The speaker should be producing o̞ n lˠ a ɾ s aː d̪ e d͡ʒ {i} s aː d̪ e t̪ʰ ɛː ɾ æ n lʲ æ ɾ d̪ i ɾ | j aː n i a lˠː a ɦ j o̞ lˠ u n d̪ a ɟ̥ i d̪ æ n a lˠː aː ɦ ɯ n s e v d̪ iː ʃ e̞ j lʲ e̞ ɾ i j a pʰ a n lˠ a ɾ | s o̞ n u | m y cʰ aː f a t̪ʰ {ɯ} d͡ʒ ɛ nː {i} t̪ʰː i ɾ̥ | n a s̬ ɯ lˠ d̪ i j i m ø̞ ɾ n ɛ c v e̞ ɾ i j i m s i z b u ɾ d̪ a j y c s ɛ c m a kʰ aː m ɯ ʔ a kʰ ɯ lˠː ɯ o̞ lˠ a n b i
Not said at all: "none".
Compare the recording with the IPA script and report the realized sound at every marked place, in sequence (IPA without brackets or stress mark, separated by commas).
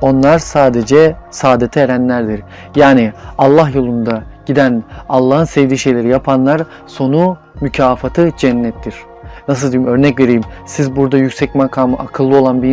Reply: ɛ, ɯ, ɛ